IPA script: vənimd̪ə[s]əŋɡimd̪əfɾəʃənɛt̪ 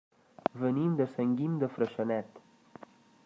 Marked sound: correct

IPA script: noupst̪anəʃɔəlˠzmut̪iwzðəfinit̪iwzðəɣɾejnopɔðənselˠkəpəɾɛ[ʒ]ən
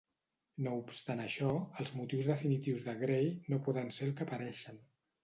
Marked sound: incorrect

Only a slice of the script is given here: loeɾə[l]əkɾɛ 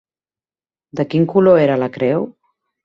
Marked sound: correct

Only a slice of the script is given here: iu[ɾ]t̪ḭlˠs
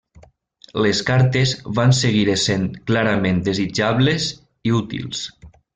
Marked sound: incorrect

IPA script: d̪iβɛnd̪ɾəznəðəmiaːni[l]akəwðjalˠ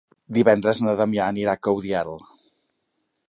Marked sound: incorrect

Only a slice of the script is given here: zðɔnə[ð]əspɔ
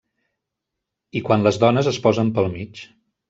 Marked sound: incorrect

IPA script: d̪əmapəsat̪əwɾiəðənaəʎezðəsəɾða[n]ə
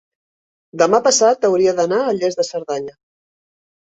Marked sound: incorrect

